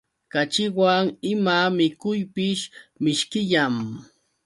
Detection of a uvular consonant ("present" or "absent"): absent